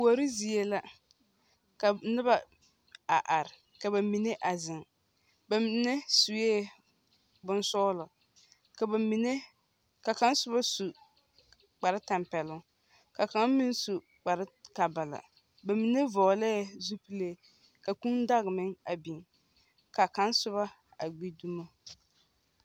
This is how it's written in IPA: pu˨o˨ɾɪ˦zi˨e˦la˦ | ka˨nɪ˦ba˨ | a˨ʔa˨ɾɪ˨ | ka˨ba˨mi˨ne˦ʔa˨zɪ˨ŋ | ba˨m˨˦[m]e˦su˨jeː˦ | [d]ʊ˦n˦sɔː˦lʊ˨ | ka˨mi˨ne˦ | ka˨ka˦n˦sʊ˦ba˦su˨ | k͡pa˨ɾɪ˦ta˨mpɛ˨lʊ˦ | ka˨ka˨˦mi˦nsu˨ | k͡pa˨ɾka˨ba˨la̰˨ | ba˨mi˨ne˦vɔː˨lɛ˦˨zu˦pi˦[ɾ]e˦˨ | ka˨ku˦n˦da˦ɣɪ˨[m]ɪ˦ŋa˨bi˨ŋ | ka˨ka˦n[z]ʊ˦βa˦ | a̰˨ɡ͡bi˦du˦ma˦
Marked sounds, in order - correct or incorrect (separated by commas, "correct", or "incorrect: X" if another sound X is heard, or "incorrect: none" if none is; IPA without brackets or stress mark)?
incorrect: n, incorrect: b, incorrect: l, correct, incorrect: s